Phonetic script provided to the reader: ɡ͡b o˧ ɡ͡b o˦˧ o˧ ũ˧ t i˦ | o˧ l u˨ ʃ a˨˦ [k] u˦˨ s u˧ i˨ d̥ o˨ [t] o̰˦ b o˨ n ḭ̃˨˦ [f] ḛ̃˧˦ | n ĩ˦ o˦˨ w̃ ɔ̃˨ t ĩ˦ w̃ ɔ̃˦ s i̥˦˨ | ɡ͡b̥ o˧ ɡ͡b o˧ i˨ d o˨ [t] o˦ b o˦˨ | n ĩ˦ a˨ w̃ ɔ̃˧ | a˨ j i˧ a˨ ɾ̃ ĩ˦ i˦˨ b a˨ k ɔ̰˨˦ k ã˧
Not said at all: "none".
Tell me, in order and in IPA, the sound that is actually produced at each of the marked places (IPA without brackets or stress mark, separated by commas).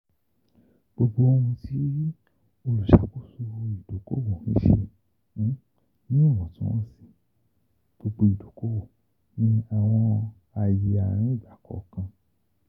k, k, ʃ, k